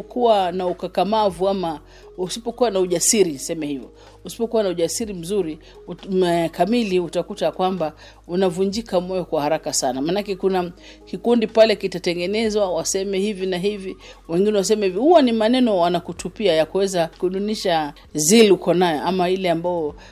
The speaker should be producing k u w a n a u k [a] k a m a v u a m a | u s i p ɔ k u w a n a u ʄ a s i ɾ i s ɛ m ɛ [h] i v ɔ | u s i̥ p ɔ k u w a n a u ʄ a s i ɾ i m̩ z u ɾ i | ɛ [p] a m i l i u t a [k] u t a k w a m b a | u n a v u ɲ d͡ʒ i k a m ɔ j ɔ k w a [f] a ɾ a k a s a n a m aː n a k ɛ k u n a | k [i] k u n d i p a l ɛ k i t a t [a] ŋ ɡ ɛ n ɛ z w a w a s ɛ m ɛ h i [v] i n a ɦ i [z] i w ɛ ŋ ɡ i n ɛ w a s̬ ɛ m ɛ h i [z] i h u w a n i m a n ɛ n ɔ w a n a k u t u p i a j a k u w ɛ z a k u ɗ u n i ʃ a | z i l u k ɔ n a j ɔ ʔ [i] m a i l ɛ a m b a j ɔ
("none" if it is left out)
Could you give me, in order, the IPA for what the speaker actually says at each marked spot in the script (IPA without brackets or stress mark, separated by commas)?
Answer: a, h, k, k, h, i, ɛ, v, v, v, a